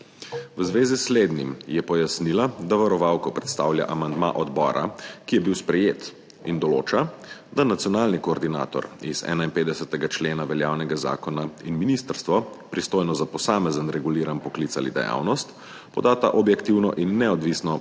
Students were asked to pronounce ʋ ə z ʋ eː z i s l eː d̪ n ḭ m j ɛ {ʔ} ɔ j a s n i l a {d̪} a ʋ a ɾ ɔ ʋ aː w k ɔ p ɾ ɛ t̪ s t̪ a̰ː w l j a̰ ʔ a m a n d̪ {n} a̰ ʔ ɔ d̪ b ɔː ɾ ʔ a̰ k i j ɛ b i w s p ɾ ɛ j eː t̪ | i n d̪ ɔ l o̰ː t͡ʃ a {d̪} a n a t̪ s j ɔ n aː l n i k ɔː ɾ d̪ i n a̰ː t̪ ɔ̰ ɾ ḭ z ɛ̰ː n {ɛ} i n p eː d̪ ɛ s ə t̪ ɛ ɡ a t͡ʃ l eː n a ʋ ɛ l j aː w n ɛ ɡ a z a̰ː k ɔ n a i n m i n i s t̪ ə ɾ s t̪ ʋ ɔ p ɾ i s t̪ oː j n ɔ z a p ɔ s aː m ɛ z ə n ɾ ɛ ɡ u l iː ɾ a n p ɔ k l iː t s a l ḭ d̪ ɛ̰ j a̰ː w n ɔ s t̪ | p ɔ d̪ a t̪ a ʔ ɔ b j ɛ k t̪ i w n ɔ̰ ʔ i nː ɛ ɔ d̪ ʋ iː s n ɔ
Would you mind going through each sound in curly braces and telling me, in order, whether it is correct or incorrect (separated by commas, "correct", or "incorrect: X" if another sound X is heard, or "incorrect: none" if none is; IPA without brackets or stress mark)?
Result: incorrect: p, correct, incorrect: m, correct, incorrect: a